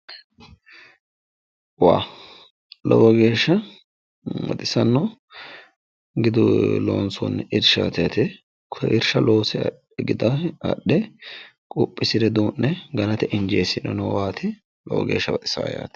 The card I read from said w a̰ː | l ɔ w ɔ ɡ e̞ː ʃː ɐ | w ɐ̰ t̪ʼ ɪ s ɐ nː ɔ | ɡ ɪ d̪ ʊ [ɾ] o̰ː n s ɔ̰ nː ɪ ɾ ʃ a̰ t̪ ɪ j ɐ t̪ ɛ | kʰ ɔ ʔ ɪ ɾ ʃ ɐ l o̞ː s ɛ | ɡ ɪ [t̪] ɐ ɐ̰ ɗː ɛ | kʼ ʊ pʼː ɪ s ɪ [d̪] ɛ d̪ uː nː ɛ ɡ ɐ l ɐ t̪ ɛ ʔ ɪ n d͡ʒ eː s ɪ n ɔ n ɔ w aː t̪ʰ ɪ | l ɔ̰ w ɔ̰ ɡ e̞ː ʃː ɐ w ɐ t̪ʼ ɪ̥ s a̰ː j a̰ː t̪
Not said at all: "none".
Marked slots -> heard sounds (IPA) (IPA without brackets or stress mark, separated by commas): l, d̪, d̪